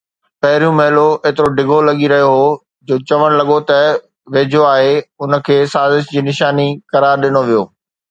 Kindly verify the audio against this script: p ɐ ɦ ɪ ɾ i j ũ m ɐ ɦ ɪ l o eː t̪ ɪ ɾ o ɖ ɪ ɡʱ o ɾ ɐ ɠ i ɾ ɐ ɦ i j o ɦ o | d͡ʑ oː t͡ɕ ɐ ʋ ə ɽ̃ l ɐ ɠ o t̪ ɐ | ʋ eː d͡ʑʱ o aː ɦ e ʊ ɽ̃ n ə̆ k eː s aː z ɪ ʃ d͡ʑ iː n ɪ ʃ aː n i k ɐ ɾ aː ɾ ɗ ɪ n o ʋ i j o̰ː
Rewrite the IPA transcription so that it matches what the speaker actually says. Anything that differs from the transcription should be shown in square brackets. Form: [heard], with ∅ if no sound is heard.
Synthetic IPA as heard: p ɐ ɦ ɪ ɾ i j ũ m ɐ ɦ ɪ l o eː t̪ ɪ ɾ o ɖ ɪ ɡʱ o [l] ɐ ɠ i ɾ ɐ ɦ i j o ɦ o | d͡ʑ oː t͡ɕ ɐ ʋ ə ɽ̃ l ɐ ɠ o t̪ ɐ | ʋ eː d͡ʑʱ o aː ɦ e ʊ [∅] n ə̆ [kʰ] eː s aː z ɪ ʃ d͡ʑ iː n ɪ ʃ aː n i k ɐ ɾ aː ɾ ɗ ɪ n o ʋ i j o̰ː